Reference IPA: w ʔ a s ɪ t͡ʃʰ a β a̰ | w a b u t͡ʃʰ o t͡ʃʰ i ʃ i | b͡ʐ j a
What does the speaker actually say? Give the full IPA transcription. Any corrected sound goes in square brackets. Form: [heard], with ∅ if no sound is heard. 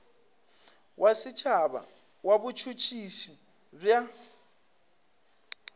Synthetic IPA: w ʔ a s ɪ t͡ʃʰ a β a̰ | w a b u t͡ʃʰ [u] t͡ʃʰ i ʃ i | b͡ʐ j a